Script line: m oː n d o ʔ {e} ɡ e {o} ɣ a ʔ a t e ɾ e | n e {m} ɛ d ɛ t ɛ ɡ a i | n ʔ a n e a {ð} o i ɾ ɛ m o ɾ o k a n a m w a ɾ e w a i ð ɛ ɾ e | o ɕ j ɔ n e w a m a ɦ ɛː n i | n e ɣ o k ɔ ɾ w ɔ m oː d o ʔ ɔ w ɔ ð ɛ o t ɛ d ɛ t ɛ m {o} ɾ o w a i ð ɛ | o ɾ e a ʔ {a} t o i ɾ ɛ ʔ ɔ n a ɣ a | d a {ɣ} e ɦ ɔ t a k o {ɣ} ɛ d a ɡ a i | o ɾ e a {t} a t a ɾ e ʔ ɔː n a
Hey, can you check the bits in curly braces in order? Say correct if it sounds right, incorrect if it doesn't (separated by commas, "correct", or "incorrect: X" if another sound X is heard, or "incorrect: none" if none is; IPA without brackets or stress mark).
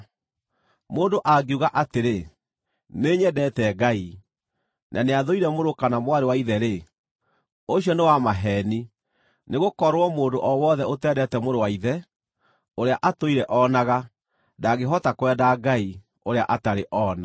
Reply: incorrect: a, incorrect: u, incorrect: ɲ, correct, correct, correct, correct, incorrect: w, incorrect: ʔ